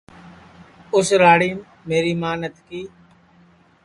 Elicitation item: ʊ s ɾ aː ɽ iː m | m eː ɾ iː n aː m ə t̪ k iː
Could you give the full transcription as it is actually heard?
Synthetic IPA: ʊ s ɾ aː ɽ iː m | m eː ɾ iː m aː n ə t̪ k iː